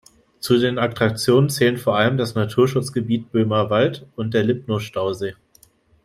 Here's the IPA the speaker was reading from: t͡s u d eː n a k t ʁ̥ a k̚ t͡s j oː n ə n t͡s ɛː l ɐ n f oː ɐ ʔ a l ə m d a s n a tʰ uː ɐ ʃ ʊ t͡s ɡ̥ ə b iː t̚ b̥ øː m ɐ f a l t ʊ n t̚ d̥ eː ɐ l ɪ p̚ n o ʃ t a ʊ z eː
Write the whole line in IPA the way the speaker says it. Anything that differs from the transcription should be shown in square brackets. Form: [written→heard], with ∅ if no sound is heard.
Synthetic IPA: t͡s u d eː n a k t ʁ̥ a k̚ t͡s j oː n ə n t͡s ɛː l [ɐ→ə] n f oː ɐ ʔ a l ə m d a s n a tʰ uː ɐ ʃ ʊ t͡s ɡ̥ ə b iː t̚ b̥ øː m ɐ [f→v] a l t ʊ n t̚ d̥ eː ɐ l ɪ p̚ n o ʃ t a ʊ z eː